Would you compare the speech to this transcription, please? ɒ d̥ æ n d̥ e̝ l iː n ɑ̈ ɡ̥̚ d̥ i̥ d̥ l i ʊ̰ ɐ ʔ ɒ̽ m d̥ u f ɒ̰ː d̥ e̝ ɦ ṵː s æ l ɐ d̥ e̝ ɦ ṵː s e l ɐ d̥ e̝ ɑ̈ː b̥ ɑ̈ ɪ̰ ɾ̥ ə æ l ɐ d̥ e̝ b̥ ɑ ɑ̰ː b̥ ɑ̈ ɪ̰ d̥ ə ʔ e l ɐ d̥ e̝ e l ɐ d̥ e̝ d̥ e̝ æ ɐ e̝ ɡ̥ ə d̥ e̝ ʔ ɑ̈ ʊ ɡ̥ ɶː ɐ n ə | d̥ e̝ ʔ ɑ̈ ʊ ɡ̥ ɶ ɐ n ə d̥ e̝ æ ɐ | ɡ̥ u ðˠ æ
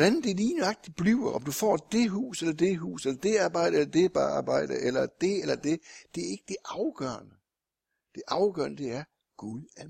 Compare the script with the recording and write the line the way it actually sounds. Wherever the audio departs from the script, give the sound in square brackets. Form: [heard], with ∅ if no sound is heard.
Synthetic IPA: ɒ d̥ æ n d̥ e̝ l iː n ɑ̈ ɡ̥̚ d̥ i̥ [b̥] l i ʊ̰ ɐ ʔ ɒ̽ m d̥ u f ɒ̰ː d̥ e̝ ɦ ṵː s [e] l ɐ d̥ e̝ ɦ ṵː s e l ɐ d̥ e̝ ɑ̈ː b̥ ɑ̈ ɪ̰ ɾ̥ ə [e] l ɐ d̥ e̝ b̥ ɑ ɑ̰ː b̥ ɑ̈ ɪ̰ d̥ ə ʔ e l ɐ d̥ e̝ e l ɐ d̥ e̝ d̥ e̝ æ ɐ e̝ ɡ̥ ə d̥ e̝ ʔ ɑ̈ ʊ ɡ̥ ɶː ɐ n ə | d̥ e̝ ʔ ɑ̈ ʊ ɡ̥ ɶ ɐ n ə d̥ e̝ æ ɐ | ɡ̥ u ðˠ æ